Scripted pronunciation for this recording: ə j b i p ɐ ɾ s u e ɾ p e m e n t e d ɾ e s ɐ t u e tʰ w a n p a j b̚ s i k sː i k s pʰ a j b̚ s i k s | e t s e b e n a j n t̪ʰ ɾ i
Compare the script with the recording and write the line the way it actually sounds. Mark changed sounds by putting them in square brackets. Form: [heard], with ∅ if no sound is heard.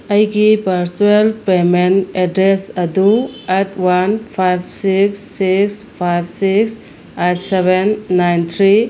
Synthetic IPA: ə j [ɡ] i p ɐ ɾ s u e [l] p e m e n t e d ɾ e s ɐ [d] u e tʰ w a n [pʰ] a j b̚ s i k sː i k s pʰ a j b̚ s i k s | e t s e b e [nː] a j n t̪ʰ ɾ i

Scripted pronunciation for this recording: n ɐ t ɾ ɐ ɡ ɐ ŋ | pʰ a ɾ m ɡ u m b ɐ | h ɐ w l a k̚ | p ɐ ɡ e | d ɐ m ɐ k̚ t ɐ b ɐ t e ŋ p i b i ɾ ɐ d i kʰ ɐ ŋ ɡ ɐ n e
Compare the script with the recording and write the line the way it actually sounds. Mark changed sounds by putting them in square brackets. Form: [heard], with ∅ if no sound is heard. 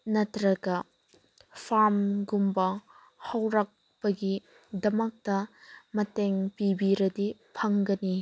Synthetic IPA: n ɐ t ɾ ɐ ɡ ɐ [∅] | pʰ a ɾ m ɡ u m b ɐ | h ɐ w [ɾ] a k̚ | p ɐ ɡ [i] | d ɐ m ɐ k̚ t ɐ [m] ɐ t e ŋ p i b i ɾ ɐ d i [pʰ] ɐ ŋ ɡ ɐ n [i]

